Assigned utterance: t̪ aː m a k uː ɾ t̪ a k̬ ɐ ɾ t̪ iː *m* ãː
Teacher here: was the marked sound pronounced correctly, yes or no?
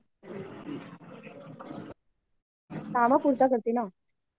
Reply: no